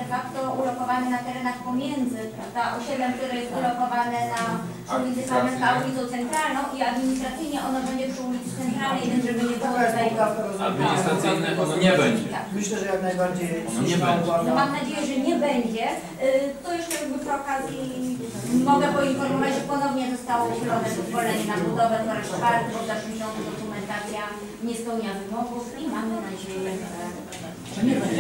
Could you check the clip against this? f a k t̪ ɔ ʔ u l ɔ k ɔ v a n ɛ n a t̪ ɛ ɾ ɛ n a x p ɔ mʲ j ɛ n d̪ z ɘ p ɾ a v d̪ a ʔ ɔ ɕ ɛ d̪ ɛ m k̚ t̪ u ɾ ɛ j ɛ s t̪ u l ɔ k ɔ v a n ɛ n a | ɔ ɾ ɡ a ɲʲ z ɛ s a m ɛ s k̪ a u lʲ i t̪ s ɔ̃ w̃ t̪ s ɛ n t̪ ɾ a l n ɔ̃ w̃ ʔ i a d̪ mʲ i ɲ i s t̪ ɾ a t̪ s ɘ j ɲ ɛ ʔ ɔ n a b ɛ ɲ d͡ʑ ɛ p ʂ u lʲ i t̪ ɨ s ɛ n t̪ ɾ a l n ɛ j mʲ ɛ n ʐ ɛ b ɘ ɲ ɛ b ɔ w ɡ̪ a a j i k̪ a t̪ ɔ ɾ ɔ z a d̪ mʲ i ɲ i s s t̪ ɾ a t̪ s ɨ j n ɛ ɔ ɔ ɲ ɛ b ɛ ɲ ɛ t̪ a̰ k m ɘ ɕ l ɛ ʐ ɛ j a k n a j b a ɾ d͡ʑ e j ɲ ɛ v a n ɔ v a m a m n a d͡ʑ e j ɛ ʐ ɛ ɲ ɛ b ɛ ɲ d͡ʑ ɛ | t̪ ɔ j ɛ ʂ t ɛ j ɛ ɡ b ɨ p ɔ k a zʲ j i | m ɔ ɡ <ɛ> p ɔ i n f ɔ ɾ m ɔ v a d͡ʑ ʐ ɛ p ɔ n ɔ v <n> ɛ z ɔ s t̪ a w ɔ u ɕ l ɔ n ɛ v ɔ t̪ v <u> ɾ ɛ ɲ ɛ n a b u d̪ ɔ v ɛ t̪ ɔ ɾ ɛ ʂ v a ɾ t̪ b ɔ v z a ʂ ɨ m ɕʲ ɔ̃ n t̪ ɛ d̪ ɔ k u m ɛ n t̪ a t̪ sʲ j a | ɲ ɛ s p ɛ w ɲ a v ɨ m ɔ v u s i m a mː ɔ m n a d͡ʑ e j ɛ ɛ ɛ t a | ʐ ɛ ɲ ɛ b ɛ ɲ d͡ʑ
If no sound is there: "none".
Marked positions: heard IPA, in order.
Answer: ɛ, ɲ, ɔ

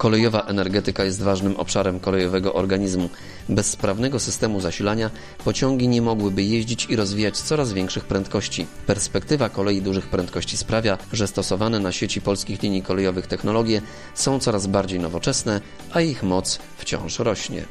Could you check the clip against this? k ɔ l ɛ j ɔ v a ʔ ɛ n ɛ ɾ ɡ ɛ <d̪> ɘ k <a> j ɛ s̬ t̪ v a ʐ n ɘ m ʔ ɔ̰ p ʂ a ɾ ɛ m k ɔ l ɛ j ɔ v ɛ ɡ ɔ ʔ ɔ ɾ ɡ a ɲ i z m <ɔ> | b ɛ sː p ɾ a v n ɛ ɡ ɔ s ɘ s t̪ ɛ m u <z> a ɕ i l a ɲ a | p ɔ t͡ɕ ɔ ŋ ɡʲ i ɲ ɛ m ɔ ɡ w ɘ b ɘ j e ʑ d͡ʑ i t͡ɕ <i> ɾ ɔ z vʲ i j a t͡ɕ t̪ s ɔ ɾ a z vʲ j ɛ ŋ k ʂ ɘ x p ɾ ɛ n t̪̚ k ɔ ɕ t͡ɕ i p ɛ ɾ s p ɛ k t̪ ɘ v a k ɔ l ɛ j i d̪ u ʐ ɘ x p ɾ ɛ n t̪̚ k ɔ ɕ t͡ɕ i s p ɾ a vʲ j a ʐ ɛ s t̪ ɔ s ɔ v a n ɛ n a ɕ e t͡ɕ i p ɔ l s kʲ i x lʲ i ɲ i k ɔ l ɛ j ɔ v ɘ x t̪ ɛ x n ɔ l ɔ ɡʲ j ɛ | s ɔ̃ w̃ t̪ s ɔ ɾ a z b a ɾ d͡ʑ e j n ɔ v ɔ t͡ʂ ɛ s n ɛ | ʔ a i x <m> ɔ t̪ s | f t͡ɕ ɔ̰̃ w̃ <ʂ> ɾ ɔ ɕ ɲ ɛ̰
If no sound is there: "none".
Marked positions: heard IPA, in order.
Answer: t̪, a, u, z, i, m, ʂ

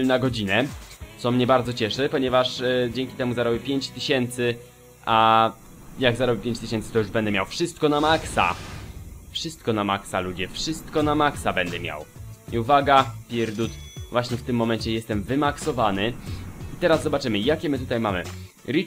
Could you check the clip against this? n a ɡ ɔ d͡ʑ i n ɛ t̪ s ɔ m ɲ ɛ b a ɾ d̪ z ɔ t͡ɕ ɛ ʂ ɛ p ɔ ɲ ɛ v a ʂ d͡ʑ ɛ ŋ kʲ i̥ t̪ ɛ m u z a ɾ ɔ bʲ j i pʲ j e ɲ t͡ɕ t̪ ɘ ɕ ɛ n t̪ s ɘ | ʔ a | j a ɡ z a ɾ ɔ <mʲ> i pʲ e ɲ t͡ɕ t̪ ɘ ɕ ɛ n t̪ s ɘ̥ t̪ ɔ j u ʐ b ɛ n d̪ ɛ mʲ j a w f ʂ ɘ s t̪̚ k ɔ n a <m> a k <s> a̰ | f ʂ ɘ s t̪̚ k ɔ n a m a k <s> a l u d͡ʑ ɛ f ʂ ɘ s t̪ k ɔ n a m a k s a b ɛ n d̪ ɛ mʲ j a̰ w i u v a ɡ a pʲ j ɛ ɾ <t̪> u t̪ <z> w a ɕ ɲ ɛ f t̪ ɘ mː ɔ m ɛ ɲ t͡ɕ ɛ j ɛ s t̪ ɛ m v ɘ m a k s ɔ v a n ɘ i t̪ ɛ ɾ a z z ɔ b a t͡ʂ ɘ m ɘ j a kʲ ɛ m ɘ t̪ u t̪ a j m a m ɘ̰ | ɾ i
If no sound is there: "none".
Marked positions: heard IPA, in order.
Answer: bʲ, m, s, s, d̪, v

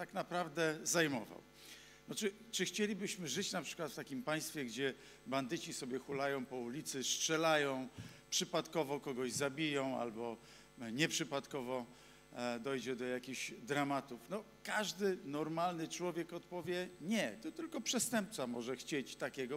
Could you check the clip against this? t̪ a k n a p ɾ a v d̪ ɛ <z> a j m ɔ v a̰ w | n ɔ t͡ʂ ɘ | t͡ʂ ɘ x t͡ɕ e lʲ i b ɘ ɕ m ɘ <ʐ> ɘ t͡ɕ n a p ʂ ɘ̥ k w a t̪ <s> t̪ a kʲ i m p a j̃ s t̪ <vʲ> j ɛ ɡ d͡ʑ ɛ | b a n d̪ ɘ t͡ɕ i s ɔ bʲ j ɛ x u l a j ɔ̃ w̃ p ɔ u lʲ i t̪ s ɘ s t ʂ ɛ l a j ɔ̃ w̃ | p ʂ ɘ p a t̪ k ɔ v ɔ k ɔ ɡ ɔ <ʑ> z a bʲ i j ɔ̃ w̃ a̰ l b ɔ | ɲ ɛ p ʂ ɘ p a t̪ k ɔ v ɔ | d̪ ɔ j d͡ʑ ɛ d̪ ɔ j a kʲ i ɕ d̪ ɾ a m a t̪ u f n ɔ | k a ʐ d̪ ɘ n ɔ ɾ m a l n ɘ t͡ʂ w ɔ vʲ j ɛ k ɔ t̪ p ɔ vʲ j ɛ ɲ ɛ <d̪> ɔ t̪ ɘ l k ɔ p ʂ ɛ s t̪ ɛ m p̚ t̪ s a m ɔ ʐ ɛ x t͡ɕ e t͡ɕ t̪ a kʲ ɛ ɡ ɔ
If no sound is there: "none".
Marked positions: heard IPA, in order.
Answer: z, ʐ, f, fʲ, ʑ, t̪

